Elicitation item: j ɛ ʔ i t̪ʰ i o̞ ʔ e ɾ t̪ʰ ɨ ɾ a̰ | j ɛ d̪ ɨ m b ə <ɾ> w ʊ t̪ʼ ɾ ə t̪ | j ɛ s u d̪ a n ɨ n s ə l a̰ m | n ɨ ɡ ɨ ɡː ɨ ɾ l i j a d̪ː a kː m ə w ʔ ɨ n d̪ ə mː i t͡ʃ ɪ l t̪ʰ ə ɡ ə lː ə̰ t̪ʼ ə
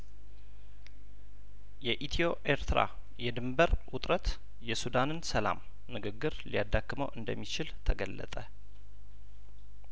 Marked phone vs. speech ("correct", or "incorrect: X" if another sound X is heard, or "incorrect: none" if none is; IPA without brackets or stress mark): correct